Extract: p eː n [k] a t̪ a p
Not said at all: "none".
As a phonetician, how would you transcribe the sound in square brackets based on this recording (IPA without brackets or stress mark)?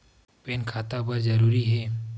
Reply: kʰ